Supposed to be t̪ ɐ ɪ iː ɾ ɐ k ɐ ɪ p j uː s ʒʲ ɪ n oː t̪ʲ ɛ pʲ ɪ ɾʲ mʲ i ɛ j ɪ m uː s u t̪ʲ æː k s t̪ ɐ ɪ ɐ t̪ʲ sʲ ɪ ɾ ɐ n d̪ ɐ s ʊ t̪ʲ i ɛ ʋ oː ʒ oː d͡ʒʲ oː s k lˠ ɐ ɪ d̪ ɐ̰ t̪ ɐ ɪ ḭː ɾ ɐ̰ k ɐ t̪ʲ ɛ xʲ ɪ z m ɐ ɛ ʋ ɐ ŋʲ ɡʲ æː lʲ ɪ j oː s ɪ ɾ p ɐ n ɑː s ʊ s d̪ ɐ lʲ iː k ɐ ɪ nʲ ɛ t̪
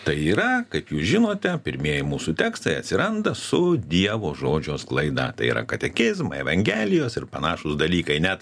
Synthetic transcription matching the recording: t̪ ɐ ɪ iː ɾ ɐ k ɐ ɪ p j uː s ʒʲ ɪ n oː t̪ʲ ɛ pʲ ɪ ɾʲ mʲ i ɛ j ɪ m uː s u t̪ʲ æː k s t̪ ɐ ɪ ɐ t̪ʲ sʲ ɪ ɾ ɐ n d̪ ɐ s ʊ d̪ʲ i ɛ ʋ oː ʒ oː d͡ʒʲ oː s k lˠ ɐ ɪ d̪ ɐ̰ t̪ ɐ ɪ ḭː ɾ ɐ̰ k ɐ t̪ʲ ɛ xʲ ɪ z m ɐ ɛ ʋ ɐ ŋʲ ɡʲ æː lʲ ɪ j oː s ɪ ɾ p ɐ n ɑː ʃ ʊ s d̪ ɐ lʲ iː k ɐ ɪ nʲ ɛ t̪